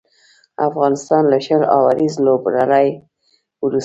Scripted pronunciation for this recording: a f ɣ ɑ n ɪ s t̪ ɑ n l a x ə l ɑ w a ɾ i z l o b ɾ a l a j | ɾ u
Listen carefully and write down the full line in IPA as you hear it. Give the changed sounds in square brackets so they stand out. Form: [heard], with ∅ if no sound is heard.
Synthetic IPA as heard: a f ɣ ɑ n ɪ s t̪ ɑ n l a [ʃ] ə l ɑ w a ɾ i z l o b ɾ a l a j | ɾ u

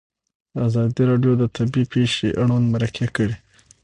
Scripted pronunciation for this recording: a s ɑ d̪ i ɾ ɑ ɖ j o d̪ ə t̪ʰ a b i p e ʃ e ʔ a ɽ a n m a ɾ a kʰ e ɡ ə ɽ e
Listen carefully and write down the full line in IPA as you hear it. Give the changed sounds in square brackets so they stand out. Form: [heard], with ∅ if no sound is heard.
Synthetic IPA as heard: a [z] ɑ d̪ i ɾ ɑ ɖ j o d̪ ə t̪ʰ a b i p e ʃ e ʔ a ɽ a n m a ɾ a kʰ e [k] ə ɽ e

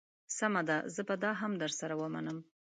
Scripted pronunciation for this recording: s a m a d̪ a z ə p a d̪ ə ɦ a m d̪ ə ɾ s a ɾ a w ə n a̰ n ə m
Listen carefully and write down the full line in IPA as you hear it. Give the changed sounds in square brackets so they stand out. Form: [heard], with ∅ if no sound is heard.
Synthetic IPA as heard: s a m a d̪ a z ə [b] a d̪ [ɑ] ɦ a m d̪ ə ɾ s a ɾ a w ə [m] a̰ n ə m

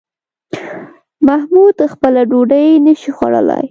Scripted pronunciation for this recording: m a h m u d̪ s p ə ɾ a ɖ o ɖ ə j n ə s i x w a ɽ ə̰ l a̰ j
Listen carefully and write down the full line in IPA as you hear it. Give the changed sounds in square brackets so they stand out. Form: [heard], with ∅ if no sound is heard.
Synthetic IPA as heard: m a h m u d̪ [x] p ə [l] a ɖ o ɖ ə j n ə [ʃ] i x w a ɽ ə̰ l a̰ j

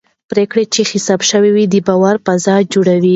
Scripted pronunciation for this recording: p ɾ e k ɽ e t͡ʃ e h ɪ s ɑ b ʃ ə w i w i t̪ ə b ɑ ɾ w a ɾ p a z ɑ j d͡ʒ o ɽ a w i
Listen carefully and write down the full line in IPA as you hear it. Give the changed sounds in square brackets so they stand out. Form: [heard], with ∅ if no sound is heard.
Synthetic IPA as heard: p ɾ e k ɽ e t͡ʃ e [x] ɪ s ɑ b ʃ ə w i w i [d̪] ə b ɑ [∅] w a ɾ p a z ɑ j d͡ʒ o ɽ a w i

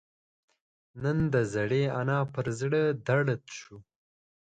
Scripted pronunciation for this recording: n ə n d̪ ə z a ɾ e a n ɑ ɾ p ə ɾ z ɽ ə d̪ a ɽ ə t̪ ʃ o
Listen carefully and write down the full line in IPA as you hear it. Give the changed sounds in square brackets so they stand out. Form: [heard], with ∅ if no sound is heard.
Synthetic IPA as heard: n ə n d̪ ə z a [ɽ] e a n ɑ [∅] p ə ɾ z ɽ ə d̪ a ɽ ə t̪ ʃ [u]

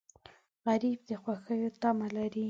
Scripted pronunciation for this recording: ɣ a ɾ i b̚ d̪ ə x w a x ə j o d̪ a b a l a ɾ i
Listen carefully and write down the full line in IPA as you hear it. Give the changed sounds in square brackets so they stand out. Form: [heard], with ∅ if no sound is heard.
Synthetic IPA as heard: ɣ a ɾ i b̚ d̪ ə x w a x ə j o [t̪] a [m] a l a ɾ i

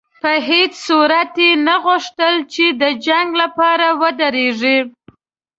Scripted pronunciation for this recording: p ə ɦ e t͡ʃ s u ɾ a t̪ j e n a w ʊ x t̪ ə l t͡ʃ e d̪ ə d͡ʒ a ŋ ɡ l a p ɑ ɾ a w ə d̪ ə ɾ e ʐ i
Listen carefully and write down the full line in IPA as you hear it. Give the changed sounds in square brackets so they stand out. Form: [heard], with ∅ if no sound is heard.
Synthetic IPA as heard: p ə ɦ e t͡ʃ s u ɾ a t̪ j e n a [ɣ] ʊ [ʂ] t̪ ə l t͡ʃ e d̪ ə d͡ʒ a ŋ ɡ l a p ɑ ɾ a w ə d̪ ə ɾ e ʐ i

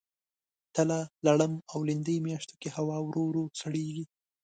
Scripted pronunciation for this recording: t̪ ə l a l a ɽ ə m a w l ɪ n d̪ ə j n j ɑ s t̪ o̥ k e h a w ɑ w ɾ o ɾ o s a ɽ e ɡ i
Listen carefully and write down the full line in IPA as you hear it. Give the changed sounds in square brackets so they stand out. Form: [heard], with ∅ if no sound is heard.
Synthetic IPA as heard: t̪ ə l a l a ɽ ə m a w l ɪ n d̪ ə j [m] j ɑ [ʃ] t̪ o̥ k e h a w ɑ w ɾ o ɾ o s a ɽ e ɡ i

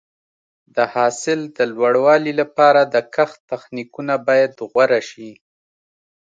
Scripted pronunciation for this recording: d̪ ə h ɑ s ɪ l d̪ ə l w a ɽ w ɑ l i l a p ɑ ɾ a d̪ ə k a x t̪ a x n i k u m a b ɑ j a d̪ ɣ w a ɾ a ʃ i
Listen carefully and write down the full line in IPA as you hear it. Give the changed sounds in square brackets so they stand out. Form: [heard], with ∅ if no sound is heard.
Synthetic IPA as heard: d̪ ə h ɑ s ɪ l d̪ ə l w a ɽ w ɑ l i l a p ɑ ɾ a d̪ ə k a x t̪ a x n i k u [n] a b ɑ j a d̪ ɣ w a ɾ a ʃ i

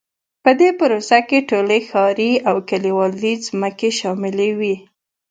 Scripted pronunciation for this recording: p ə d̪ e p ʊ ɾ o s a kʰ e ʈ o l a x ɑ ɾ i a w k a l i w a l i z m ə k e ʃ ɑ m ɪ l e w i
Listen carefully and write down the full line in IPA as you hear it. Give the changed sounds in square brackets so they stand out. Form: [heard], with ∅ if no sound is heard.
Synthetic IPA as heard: p ə d̪ e p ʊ ɾ o s a [k] e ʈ o l [e] x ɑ ɾ i a w k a l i w [ɑ] l i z m ə k e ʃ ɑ m ɪ l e w i

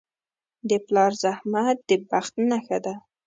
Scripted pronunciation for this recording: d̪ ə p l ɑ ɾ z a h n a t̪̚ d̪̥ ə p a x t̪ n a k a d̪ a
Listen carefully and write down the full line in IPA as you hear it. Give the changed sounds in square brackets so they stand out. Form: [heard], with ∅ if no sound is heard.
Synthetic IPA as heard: d̪ ə p l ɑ ɾ z a h [m] a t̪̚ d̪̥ ə [b] a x t̪ n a [x] a d̪ a

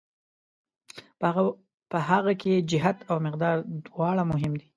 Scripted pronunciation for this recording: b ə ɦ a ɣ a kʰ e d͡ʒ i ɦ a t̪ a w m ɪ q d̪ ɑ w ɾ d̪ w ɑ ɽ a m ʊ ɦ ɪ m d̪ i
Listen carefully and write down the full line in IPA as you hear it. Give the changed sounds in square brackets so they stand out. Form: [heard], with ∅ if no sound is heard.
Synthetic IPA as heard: [p] ə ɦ a ɣ a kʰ e d͡ʒ [ɪ] ɦ a t̪ a w m ɪ q d̪ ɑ [∅] ɾ d̪ w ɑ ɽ a m ʊ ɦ ɪ m d̪ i

